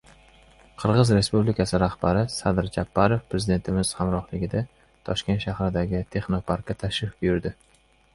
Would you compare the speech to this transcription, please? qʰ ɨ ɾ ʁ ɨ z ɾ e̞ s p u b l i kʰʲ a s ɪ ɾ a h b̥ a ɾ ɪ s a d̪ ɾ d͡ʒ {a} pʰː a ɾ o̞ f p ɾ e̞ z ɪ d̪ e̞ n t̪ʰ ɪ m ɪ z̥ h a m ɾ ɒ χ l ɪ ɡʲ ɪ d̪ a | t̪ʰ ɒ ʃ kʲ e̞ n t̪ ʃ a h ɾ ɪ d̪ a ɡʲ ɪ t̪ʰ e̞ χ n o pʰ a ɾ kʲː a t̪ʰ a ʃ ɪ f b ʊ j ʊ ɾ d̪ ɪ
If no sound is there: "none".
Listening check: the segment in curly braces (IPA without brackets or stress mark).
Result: a